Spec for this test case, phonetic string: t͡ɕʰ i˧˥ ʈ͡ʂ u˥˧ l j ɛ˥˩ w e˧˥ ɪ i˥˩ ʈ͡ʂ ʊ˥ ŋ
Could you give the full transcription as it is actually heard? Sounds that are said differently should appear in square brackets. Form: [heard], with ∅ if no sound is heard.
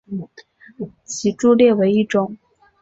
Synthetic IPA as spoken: t͡ɕʰ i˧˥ ʈ͡ʂ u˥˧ l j ɛ˥˩ w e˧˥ ɪ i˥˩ ʈ͡ʂ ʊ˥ ŋ